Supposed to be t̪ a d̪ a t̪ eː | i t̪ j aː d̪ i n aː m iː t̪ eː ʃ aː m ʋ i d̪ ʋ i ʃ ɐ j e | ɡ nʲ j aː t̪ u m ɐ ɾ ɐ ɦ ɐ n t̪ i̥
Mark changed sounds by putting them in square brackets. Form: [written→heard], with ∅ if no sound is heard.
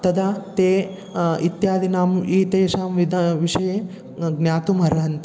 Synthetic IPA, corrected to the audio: t̪ [a→ɐ] d̪ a t̪ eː | i t̪ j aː d̪ i n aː m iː t̪ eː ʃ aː m ʋ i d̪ ʋ i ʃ ɐ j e | ɡ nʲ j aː t̪ u m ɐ ɾ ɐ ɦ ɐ n t̪ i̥